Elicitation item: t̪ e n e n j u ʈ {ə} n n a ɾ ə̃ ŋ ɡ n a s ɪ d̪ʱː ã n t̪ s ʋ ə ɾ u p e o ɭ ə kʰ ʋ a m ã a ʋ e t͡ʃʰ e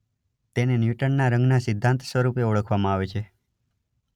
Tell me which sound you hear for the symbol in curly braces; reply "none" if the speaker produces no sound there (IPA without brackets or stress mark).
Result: ə